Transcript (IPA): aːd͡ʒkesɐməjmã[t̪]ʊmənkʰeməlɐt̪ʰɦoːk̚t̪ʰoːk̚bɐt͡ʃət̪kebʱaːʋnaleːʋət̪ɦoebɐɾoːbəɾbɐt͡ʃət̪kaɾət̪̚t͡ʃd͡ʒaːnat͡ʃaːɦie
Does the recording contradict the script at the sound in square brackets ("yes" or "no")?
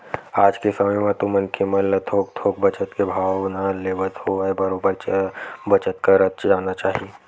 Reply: no